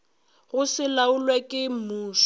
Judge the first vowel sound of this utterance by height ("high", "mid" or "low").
high